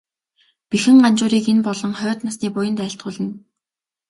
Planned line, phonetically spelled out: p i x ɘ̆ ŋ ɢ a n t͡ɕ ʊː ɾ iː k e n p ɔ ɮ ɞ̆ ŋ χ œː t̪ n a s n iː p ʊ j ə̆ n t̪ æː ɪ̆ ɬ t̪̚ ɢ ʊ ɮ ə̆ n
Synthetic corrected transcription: p i x ɘ̆ ŋ ɢ a n t͡ɕ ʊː ɾ iː k e n p ɔ ɮ ɞ̆ ŋ χ œː t̪ n a s n iː p ʊ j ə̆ n t̪ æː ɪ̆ ɬ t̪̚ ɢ ʊː ɮ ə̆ n